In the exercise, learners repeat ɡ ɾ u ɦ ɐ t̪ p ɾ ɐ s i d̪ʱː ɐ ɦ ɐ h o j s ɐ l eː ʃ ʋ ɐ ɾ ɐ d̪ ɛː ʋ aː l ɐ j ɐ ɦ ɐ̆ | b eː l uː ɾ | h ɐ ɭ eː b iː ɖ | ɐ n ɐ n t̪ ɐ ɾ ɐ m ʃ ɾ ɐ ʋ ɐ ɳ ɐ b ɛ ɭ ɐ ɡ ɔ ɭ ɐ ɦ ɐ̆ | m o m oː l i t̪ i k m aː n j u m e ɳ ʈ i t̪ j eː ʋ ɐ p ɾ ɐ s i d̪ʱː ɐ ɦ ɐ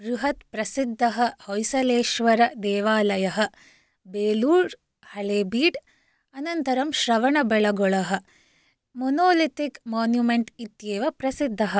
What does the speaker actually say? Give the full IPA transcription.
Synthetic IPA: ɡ ɾ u ɦ ɐ t̪ p ɾ ɐ s i d̪ʱː ɐ ɦ ɐ h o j s ɐ l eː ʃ ʋ ɐ ɾ ɐ d̪ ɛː ʋ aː l ɐ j ɐ ɦ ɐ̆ | b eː l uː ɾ | h ɐ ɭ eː b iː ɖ | ɐ n ɐ n t̪ ɐ ɾ ɐ m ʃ ɾ ɐ ʋ ɐ ɳ ɐ b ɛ ɭ ɐ ɡ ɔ ɭ ɐ ɦ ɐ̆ | m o n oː l i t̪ i k m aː n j u m e ɳ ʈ i t̪ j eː ʋ ɐ p ɾ ɐ s i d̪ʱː ɐ ɦ ɐ